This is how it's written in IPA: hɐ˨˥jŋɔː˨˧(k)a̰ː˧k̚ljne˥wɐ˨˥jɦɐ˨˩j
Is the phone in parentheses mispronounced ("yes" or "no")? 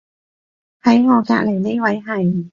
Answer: no